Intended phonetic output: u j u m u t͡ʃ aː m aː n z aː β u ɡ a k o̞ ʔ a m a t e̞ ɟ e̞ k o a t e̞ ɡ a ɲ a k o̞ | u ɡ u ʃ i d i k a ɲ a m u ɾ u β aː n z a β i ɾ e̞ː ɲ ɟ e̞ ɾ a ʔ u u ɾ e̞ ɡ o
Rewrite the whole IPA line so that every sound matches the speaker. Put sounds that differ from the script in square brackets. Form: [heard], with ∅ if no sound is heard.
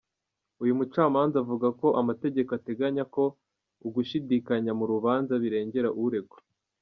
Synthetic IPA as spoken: u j u m u t͡ʃ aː m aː n z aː [v] u ɡ a k o̞ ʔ a m a t e̞ ɟ e̞ k o a t e̞ ɡ a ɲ a k o̞ | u ɡ u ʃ i d i k a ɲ a m u ɾ u β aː n z a β i ɾ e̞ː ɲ ɟ e̞ ɾ a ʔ u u ɾ e̞ ɡ o

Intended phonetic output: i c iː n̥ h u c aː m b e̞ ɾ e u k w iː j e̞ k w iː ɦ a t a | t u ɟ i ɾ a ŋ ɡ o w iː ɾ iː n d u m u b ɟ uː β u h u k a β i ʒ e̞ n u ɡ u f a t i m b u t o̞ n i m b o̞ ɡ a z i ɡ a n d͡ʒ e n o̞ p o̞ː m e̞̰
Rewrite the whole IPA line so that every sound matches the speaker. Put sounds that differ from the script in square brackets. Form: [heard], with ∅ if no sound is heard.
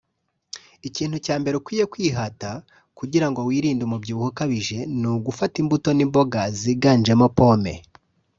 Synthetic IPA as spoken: i c iː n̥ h u c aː m b e̞ ɾ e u k w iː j e̞ k w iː ɦ a t a | [k] u ɟ i ɾ a ŋ ɡ o w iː ɾ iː n d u m u b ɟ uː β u h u k a β i ʒ e̞ n u ɡ u f a t i m b u t o̞ n i m b o̞ ɡ a z i ɡ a n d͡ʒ e [m] o̞ p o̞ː m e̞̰

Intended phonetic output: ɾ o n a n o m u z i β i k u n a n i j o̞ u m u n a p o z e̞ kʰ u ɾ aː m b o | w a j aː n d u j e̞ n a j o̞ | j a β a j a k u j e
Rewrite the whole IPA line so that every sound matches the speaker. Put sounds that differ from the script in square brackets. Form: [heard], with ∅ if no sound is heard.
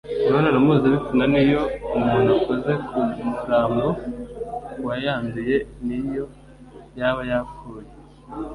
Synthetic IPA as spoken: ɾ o n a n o m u z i β i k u n a n i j o̞ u m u n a [k] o z e̞ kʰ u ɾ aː m b o | w a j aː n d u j e̞ n [i] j o̞ | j a β a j a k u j e

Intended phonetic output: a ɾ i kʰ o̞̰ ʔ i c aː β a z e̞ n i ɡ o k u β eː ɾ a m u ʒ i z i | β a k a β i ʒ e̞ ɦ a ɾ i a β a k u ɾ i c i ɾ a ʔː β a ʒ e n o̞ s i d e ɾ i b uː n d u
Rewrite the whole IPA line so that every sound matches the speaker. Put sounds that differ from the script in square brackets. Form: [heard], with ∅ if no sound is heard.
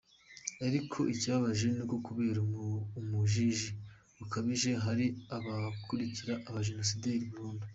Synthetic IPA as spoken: a ɾ i kʰ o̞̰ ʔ i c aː β a [ʒ] e̞ n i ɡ o k u β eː ɾ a m u ʒ i [ʒ] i | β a k a β i ʒ e̞ ɦ a ɾ i a β a k u ɾ i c i ɾ a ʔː β a ʒ e n o̞ s i d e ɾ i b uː n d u

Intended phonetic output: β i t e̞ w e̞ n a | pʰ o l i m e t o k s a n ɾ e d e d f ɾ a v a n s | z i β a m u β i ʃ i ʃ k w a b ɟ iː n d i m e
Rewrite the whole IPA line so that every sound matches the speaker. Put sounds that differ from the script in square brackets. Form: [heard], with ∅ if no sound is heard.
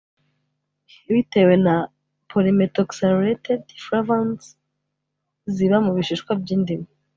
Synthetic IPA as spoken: β i t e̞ w e̞ n a | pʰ o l i m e t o k s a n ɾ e [t] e d f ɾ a v a n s | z i β a m u β i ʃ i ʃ k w a b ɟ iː n d i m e

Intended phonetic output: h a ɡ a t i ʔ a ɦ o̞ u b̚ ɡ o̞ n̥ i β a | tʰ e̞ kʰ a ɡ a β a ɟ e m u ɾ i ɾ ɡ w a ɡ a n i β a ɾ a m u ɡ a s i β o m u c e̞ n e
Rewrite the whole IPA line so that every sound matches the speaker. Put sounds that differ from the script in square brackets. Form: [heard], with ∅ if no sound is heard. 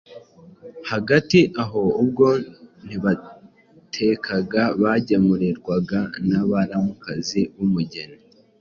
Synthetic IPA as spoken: h a ɡ a t i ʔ a ɦ o̞ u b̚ ɡ o̞ n̥ i β a | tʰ e̞ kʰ a ɡ a β a ɟ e m u ɾ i ɾ ɡ w a ɡ a n [a] β a ɾ a m u [k] a [z] i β [u] m u [ɟ] e̞ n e

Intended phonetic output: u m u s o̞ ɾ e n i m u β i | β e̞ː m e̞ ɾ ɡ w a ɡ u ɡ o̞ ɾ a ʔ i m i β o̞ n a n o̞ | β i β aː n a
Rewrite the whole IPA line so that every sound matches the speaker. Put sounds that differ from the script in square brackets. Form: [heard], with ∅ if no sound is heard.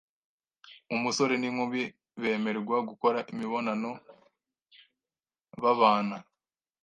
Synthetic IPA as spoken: u m u s o̞ ɾ e n i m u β i | β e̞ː m e̞ ɾ ɡ w a ɡ u [k] o̞ ɾ a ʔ i m i β o̞ n a n o̞ | β [a] β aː n a

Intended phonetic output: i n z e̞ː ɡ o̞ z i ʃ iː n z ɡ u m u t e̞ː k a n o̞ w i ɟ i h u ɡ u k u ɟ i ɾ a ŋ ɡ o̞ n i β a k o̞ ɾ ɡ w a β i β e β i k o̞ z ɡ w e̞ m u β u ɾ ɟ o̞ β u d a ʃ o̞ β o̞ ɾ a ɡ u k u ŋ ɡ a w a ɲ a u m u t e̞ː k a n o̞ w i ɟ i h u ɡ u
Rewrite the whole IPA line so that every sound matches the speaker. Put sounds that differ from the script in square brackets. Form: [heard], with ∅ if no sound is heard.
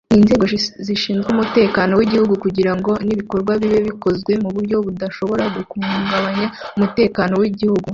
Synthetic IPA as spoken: i n z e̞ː ɡ o̞ z i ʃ iː n z ɡ u m u t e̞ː k a n o̞ w i ɟ i h u ɡ u k u ɟ i ɾ a ŋ ɡ o̞ n i β [i] k o̞ ɾ ɡ w a β i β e β i k o̞ z ɡ w e̞ m u β u ɾ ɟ o̞ β u d a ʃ o̞ β o̞ ɾ a ɡ u k u ŋ ɡ a [β] a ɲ a u m u t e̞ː k a n o̞ w i ɟ i h u ɡ u

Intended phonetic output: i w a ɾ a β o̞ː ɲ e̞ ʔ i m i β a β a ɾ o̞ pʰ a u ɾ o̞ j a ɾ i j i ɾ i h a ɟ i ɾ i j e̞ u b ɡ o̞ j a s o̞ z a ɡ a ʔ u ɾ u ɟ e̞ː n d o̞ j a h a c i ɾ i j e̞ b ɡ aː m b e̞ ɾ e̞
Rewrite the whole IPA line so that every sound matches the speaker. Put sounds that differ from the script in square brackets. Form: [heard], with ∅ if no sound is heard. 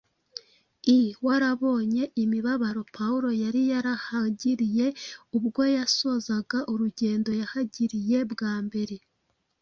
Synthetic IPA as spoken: i w a ɾ a β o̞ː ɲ e̞ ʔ i m i β a β a ɾ o̞ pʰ a u ɾ o̞ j a ɾ i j [a] ɾ [a] h a ɟ i ɾ i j e̞ u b ɡ o̞ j a s o̞ z a ɡ a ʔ u ɾ u ɟ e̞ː n d o̞ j a h a [ɟ] i ɾ i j e̞ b ɡ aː m b e̞ ɾ e̞

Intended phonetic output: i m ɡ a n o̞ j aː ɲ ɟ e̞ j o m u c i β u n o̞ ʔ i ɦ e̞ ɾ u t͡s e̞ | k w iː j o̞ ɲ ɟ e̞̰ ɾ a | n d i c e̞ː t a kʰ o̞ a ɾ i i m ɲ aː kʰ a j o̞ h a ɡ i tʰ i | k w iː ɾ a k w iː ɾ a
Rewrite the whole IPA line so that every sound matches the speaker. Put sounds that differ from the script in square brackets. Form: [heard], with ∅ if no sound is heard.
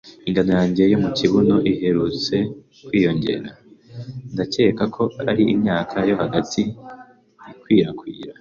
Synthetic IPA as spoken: i [ŋ] ɡ a n o̞ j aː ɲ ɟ e̞ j o m u c i β u n o̞ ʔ i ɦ e̞ ɾ u t͡s e̞ | k w iː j o̞ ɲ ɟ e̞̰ ɾ a | n d [a] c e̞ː [k] a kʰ o̞ a ɾ i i m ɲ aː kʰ a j o̞ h a ɡ [a] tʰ i | k w iː ɾ a k w iː ɾ a

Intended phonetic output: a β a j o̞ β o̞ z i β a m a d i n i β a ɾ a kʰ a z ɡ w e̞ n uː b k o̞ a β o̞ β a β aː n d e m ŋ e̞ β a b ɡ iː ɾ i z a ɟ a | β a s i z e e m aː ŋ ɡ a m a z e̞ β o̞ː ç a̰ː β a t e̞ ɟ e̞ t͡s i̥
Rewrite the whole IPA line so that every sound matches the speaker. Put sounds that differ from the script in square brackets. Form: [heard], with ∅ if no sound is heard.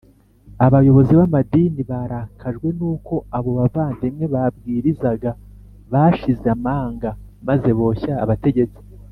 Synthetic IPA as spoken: a β a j o̞ β o̞ z i β a m a d i n i β a ɾ a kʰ a [ʒ] ɡ w e̞ n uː [∅] k o̞ a β o̞ β a [v] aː n d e m ŋ e̞ β a b ɡ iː ɾ i z a [ɡ] a | β a [ʃ] i z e [a] m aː ŋ ɡ a m a z e̞ β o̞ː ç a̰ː β a t e̞ ɟ e̞ t͡s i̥

